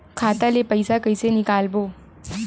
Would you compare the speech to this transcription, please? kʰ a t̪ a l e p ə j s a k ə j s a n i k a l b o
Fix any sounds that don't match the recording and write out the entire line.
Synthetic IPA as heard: kʰ a t̪ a l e p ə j s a k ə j s e n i k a l b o